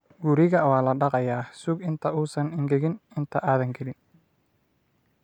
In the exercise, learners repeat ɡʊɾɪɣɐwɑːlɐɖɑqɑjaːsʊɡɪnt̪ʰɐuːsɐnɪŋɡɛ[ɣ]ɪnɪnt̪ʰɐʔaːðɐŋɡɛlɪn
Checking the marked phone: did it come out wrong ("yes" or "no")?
no